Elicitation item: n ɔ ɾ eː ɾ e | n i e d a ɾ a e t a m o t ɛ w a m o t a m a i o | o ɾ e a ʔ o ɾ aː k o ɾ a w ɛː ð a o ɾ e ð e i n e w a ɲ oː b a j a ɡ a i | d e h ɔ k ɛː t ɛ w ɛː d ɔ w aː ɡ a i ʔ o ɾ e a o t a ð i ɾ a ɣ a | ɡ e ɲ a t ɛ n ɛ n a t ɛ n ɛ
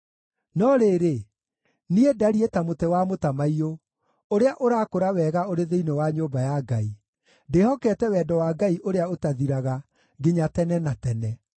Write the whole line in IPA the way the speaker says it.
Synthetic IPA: n ɔ ɾ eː ɾ e | n i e d a ɾ i e t a m o t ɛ w a m o t a m a i o | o ɾ e a ʔ o ɾ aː k o ɾ a w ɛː ɣ a o ɾ e ð e i n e w a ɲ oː b a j a ɡ a i | d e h ɔ k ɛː t ɛ w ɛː d ɔ w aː ɡ a i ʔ o ɾ e a o t a ð i ɾ a ɣ a | ɡ e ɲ a t ɛ n ɛ n a t ɛ n ɛ